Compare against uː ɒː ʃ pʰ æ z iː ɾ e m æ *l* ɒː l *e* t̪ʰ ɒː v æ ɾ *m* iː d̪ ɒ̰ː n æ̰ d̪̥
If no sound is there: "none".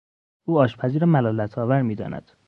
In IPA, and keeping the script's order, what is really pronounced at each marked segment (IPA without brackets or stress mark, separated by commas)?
l, æ, m